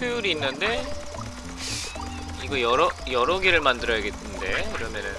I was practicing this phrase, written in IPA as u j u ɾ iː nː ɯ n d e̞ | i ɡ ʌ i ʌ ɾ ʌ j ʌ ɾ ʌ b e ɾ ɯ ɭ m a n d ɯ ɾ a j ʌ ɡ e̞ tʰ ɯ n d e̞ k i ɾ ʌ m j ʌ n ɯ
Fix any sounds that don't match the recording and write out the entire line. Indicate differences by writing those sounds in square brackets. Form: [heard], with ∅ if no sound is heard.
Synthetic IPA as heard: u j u ɾ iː nː ɯ n d e̞ | i ɡ ʌ [j] ʌ ɾ ʌ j ʌ ɾ ʌ [ɡ] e ɾ ɯ ɭ m a n d ɯ ɾ [ʌ] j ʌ ɡ e̞ tʰ ɯ n d e̞ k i ɾ ʌ m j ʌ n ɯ

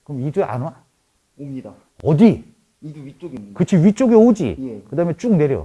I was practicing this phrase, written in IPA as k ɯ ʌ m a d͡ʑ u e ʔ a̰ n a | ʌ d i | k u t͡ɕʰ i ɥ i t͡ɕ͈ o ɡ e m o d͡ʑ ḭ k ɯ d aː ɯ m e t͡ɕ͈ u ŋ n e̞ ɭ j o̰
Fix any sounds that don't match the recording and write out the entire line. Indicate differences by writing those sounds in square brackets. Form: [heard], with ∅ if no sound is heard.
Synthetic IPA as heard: k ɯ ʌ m [i] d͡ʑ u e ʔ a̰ n a | ʌ d i | k [ɯ] t͡ɕʰ i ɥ i t͡ɕ͈ o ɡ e [∅] o d͡ʑ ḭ k ɯ d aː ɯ m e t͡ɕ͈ u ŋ n e̞ [ɾ] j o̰

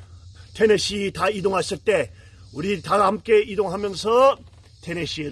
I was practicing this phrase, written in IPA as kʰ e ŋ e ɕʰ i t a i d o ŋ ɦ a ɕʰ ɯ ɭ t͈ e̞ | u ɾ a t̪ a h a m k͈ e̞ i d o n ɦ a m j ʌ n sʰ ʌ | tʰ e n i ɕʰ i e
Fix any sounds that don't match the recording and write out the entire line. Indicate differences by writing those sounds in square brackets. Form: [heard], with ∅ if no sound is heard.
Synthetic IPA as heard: [tʰ] e [n] e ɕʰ i t a i d o ŋ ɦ a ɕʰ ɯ ɭ t͈ e̞ | u ɾ [i] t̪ a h a m k͈ e̞ i d o [ŋ] ɦ a m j ʌ n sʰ ʌ | tʰ e n [e] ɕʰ i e

